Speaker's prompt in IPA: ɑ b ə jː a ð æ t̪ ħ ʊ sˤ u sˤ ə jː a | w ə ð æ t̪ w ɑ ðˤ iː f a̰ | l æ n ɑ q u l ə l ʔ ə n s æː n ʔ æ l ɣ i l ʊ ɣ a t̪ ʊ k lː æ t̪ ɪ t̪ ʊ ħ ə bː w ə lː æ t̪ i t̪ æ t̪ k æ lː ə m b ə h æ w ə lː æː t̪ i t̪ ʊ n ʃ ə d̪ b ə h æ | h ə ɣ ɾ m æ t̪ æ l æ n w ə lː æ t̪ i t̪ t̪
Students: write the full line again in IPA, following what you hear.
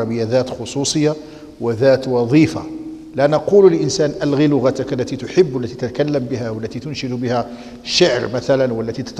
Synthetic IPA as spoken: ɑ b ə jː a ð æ t̪ x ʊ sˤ u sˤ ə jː a | w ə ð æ t̪ w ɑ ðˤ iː f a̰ | l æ n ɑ q u l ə l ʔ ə n s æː n ʔ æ l ɣ i l ʊ ɣ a t̪ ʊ k lː æ t̪ i t̪ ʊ ħ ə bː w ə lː æ t̪ i t̪ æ t̪ k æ lː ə m b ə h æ w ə lː æ t̪ i t̪ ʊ n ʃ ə d̪ b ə h æ | ʃ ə ʕ ɾ m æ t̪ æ l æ n w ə lː æ t̪ i t̪ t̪